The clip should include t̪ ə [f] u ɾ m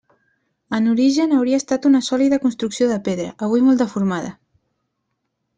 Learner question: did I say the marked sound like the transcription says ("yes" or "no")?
yes